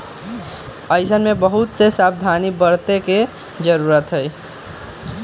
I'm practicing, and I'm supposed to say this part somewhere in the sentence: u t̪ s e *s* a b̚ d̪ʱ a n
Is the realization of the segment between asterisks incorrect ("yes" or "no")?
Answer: no